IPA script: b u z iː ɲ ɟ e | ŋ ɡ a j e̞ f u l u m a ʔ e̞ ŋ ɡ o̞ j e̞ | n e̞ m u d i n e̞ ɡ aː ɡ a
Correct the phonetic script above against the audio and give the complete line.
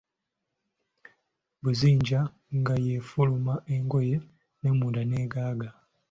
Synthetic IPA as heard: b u z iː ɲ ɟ a | ŋ ɡ a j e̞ f u l u m a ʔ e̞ ŋ ɡ o̞ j e̞ | n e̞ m u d a n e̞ ɡ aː ɡ a